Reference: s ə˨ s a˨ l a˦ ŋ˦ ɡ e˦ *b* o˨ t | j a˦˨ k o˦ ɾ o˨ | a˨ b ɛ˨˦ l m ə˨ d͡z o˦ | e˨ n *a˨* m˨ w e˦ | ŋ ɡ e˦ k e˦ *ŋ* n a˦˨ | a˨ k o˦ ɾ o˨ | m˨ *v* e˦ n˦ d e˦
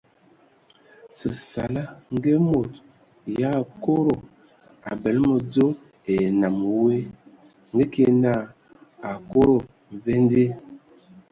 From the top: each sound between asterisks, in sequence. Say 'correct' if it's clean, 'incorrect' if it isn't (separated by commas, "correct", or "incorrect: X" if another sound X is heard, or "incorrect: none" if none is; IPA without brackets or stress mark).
incorrect: m, correct, incorrect: none, correct